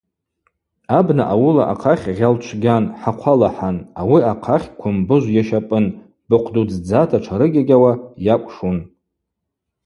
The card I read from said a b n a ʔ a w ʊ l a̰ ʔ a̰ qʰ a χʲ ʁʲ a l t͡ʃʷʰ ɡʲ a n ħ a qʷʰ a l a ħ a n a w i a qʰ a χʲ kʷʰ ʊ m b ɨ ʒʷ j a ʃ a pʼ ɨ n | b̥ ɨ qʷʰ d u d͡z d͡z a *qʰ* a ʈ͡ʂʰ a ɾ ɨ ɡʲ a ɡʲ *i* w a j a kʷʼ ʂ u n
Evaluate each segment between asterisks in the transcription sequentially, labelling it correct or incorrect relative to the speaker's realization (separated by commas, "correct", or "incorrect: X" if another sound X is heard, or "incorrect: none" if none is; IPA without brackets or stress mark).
incorrect: tʰ, incorrect: a